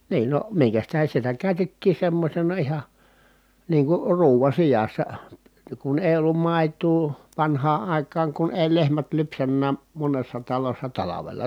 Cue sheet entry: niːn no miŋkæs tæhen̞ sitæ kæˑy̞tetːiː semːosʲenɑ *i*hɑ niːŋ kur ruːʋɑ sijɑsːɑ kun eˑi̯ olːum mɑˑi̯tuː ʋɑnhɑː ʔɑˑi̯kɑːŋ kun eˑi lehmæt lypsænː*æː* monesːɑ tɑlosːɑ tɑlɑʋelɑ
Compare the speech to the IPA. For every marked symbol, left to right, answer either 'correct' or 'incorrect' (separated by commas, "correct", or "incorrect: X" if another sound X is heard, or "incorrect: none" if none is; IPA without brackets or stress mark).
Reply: correct, correct